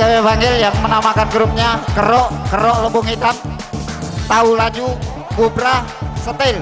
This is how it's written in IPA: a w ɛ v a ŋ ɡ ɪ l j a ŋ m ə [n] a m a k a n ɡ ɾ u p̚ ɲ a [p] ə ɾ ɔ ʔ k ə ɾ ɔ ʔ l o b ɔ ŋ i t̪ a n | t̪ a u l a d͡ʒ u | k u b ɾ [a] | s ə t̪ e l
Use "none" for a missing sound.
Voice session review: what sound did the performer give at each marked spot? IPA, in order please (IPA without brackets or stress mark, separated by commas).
n, k, a